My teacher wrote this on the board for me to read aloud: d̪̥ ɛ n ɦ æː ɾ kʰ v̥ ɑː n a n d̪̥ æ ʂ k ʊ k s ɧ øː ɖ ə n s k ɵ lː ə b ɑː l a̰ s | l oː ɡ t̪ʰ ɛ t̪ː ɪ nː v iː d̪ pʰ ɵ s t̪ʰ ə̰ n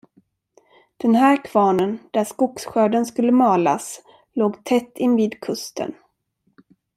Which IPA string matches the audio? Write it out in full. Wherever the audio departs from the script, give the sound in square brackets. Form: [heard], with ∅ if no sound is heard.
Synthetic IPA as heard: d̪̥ ɛ n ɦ æː ɾ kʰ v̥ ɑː n [ə] n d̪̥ æ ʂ k ʊ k s ɧ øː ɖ ə n s k ɵ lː ə [m] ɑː l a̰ s | l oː ɡ t̪ʰ ɛ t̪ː ɪ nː v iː d̪ [kʰ] ɵ s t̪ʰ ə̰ n